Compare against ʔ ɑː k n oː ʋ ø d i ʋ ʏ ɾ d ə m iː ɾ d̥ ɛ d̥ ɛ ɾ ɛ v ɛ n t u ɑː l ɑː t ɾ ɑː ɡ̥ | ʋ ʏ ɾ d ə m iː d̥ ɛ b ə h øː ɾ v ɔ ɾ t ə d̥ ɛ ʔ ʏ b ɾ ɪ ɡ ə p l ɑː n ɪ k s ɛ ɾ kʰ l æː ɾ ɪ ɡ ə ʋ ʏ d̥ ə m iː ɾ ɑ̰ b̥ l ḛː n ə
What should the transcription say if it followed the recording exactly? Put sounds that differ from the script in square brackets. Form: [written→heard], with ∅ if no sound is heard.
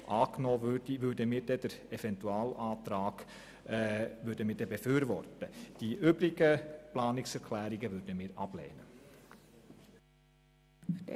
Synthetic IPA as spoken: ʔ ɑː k n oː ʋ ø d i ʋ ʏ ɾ d ə m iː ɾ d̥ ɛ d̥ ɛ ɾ ɛ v ɛ n t u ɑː l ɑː t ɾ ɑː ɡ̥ | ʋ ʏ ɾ d ə m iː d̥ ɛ b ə [h→f] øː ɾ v ɔ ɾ t ə d̥ [ɛ→i] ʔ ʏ b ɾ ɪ ɡ ə p l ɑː n ɪ k s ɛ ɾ kʰ l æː ɾ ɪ ɡ ə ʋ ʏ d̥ ə m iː ɾ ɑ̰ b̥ l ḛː n ə